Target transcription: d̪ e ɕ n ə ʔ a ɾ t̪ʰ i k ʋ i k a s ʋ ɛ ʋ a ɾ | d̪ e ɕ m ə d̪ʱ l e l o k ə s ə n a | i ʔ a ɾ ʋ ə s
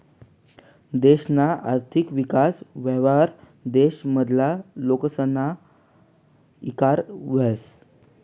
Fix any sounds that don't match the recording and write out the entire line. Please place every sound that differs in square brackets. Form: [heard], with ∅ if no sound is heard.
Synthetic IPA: d̪ e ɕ n [a] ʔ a ɾ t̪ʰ i k ʋ i k a s ʋ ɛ ʋ a ɾ | d̪ e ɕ m ə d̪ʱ l [a] l o k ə s ə n a | i [k] a ɾ ʋ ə s